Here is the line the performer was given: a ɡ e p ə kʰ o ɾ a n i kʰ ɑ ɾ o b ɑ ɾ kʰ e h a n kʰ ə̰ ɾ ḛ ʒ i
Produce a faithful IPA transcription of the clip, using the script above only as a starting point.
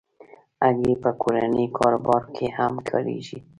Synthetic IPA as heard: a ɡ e p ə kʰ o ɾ a n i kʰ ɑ ɾ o b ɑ ɾ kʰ e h a m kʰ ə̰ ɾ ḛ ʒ i